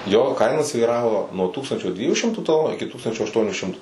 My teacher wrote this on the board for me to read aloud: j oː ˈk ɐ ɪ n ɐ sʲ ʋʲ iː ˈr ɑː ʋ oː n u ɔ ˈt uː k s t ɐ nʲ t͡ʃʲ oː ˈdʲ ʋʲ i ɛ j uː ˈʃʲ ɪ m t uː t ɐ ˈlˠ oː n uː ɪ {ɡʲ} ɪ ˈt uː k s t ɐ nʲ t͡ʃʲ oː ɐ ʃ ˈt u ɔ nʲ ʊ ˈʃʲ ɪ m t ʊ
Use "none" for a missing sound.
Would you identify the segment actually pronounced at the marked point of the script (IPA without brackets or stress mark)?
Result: kʲ